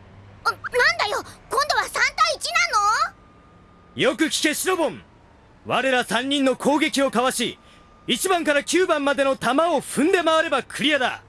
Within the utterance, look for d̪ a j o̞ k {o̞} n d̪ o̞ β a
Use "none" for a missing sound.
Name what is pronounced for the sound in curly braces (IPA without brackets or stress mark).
õ̞